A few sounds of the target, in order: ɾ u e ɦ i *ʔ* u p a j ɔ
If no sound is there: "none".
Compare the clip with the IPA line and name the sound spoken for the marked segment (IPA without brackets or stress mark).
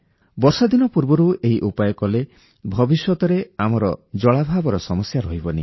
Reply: ʔ